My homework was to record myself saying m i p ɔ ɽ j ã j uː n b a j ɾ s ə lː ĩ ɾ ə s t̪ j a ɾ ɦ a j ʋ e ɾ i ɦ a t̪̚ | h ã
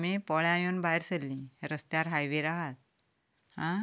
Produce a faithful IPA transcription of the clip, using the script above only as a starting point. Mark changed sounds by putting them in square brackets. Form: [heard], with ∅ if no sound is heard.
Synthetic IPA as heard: m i p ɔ [ɭ] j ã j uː n b a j ɾ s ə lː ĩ ɾ ə s t̪ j a ɾ ɦ a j ʋ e ɾ [a] ɦ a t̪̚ | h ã